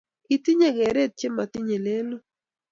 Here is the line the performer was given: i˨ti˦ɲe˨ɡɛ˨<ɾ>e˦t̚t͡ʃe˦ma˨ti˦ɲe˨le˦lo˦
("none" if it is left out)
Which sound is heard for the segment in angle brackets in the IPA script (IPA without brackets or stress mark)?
ɾ